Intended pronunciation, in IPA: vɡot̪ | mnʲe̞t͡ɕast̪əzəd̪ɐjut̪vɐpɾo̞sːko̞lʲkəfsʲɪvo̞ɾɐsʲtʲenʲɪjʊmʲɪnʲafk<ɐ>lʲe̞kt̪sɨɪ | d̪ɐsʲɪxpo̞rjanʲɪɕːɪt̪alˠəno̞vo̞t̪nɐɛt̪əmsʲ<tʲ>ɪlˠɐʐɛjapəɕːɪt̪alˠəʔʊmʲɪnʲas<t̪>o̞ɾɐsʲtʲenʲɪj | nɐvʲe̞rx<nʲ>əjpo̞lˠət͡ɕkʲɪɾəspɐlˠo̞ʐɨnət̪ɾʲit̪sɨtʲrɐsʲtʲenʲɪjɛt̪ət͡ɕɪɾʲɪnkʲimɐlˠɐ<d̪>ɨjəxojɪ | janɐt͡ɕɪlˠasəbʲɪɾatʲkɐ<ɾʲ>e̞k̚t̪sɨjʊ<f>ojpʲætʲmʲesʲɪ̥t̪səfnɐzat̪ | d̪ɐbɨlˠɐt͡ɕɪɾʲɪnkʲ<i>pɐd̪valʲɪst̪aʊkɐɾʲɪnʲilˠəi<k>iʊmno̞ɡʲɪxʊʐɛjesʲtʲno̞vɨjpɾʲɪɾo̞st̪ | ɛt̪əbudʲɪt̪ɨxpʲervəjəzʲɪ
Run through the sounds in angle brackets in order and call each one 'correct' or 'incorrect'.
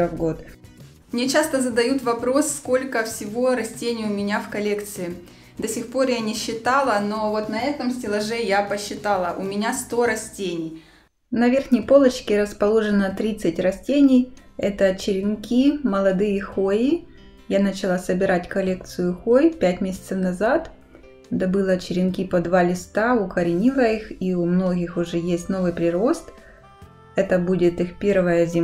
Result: correct, correct, correct, correct, correct, incorrect, incorrect, correct, incorrect

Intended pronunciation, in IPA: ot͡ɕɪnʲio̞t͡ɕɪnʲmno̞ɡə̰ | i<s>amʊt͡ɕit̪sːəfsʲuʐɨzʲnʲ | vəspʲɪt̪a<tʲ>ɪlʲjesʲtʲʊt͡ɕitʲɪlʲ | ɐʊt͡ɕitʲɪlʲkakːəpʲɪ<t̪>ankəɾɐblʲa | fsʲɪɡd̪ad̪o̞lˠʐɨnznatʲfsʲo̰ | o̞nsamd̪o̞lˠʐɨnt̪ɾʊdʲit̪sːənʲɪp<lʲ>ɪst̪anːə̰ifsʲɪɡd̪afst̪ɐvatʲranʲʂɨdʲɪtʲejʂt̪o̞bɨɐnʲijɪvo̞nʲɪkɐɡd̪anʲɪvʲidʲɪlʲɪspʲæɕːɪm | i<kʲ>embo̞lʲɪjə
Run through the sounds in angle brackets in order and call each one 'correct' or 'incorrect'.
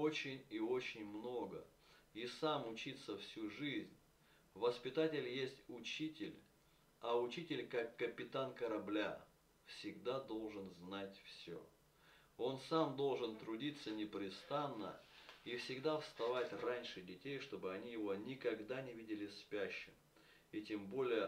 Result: correct, correct, correct, incorrect, incorrect

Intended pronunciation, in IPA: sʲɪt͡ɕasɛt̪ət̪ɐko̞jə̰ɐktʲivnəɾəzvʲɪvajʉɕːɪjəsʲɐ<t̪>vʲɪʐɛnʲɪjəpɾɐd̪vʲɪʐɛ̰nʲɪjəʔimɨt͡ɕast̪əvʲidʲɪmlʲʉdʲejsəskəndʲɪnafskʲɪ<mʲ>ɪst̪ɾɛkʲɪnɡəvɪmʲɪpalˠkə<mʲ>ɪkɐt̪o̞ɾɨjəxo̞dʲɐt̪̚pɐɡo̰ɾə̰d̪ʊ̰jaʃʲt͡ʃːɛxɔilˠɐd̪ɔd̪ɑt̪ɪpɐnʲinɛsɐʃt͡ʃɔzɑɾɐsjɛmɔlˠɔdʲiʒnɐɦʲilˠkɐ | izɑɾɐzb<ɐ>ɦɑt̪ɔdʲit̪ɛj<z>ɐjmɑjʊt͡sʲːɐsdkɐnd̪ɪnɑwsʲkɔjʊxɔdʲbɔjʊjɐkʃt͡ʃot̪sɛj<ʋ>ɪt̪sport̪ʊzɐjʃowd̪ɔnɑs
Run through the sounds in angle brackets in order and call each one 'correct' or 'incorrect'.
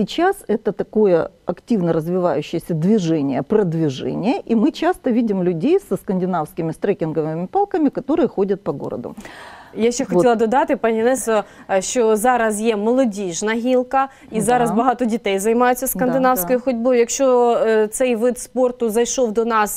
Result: incorrect, correct, correct, correct, correct, correct

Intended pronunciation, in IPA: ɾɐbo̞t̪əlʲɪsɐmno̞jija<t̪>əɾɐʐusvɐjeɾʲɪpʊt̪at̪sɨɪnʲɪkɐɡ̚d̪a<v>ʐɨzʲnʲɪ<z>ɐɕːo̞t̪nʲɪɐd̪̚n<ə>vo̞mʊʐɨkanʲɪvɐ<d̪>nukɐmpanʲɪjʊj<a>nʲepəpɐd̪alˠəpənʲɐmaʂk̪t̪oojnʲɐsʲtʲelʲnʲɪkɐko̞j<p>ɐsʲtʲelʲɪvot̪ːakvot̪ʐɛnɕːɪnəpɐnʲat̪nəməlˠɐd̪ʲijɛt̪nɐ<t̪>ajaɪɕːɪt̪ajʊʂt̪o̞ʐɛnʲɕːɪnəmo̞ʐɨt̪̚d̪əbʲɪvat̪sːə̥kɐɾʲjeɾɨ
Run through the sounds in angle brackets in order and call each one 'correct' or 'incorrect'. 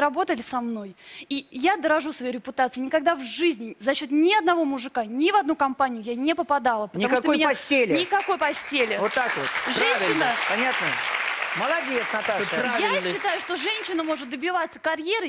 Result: incorrect, correct, correct, incorrect, correct, correct, correct, correct

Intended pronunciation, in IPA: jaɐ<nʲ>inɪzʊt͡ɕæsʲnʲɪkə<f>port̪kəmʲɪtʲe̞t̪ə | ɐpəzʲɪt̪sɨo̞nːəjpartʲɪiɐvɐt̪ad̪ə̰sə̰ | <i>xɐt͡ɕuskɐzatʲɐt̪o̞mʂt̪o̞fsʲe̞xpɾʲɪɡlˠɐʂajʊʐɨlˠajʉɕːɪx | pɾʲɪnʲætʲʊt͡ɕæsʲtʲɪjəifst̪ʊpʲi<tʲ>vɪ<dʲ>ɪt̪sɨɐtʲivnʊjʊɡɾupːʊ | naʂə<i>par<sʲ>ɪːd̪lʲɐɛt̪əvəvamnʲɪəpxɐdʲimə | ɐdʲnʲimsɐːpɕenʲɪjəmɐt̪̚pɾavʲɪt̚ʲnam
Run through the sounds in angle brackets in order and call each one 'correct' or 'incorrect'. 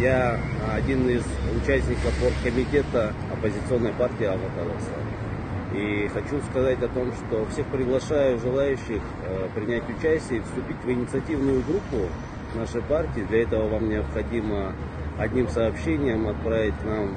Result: incorrect, correct, correct, correct, incorrect, incorrect, incorrect

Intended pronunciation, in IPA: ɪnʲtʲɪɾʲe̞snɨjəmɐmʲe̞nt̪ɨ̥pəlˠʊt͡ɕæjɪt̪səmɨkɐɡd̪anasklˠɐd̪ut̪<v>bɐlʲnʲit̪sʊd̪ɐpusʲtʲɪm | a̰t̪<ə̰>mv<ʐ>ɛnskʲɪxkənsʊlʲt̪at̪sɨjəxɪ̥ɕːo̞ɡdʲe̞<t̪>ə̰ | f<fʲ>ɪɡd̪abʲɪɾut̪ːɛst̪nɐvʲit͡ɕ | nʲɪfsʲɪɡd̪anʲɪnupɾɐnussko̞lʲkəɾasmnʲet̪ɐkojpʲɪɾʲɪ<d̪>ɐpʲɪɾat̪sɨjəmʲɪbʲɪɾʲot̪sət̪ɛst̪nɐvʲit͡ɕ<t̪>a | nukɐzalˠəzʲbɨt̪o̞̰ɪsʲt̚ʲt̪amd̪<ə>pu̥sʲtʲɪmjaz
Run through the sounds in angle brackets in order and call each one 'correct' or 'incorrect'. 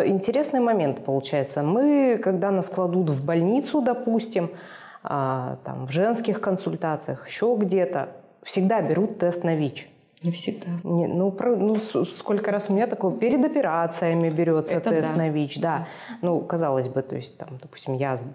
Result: correct, incorrect, correct, correct, incorrect, correct, incorrect, incorrect

